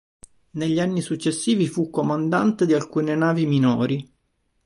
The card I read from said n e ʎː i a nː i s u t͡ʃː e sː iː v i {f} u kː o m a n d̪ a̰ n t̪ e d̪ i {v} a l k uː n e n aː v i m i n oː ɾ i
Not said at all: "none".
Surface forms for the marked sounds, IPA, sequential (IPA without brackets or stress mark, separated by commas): f, none